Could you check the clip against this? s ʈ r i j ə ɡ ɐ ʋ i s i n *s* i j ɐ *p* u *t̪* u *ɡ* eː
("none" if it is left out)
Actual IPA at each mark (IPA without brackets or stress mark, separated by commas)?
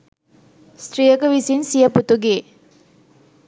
s, p, t̪, ɡ